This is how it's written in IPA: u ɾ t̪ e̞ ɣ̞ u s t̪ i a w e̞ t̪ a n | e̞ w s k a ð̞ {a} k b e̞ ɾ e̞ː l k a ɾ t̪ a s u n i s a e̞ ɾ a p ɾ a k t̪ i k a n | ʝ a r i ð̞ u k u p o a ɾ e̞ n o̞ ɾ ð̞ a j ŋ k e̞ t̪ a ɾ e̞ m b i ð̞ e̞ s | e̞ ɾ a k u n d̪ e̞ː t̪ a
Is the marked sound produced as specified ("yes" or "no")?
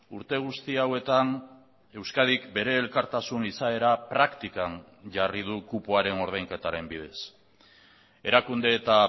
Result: no